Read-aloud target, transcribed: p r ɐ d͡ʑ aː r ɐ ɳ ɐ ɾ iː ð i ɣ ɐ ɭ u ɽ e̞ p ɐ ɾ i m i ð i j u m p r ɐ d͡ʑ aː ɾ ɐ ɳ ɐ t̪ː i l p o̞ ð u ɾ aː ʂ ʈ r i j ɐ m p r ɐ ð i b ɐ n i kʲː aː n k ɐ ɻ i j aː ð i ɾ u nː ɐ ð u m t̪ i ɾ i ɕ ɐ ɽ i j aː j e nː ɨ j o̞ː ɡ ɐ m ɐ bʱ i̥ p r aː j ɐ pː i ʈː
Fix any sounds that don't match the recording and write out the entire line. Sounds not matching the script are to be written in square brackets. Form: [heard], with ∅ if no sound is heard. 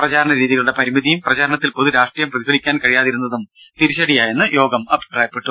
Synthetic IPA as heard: p r ɐ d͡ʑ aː [ɾ] ɐ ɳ ɐ ɾ iː ð i ɣ ɐ ɭ u ɽ e̞ p ɐ ɾ i m i ð i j u m p r ɐ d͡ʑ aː ɾ ɐ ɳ ɐ t̪ː i l p o̞ ð u ɾ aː ʂ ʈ r i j ɐ m p r ɐ ð i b ɐ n i kʲː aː n k ɐ ɻ i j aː ð i ɾ u nː ɐ ð u m t̪ i ɾ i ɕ ɐ ɽ i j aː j e nː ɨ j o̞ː ɡ ɐ m ɐ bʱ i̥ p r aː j ɐ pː [e] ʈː